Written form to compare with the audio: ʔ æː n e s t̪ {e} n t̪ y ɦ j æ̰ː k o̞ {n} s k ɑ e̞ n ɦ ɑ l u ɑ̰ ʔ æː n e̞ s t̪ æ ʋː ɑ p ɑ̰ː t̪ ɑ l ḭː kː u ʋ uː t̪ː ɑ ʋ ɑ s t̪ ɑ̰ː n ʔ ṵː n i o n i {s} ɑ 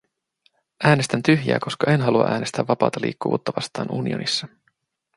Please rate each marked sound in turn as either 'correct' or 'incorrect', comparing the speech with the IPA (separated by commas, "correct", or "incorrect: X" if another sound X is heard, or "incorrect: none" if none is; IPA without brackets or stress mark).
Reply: incorrect: æ, incorrect: none, incorrect: sː